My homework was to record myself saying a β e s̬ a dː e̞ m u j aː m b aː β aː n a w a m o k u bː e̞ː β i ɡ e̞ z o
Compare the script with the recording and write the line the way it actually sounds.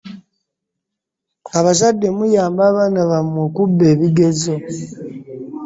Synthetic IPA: a β a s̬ a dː e̞ m u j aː m b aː β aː n a β a m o k u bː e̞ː β i ɡ e̞ z o